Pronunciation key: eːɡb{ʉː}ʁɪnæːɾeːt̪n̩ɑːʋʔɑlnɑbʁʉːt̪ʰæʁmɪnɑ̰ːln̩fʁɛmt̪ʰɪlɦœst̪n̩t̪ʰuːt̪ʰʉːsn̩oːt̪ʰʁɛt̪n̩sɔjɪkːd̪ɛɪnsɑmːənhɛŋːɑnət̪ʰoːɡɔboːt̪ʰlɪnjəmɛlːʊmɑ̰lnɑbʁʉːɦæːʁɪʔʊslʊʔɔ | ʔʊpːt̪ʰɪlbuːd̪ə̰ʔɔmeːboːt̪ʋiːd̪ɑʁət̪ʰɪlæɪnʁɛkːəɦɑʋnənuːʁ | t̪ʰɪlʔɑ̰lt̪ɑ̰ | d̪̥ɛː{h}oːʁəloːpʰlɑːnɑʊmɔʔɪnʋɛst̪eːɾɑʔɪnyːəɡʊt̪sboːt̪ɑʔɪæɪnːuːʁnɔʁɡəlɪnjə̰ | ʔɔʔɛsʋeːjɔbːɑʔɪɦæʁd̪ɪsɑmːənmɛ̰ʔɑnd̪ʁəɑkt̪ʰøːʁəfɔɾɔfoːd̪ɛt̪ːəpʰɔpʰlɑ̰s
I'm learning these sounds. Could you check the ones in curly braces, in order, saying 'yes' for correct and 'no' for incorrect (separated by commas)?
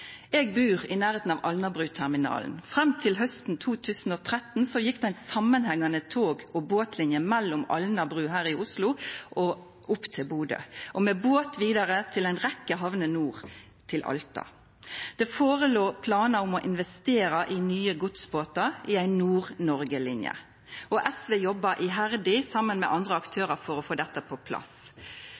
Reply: yes, no